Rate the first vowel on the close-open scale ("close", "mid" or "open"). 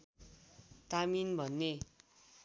open